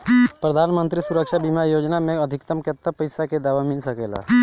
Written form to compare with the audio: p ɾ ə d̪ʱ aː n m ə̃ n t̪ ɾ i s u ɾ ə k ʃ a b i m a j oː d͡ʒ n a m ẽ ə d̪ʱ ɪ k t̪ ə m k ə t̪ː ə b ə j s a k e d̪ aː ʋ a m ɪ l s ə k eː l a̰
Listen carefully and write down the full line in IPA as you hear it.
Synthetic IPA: p ɾ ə d̪ʱ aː n m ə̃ n t̪ ɾ i s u ɾ ə k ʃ a b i m a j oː d͡ʒ n a m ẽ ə d̪ʱ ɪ k t̪ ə m k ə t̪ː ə p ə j s a k e d̪ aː ʋ a m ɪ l s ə k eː l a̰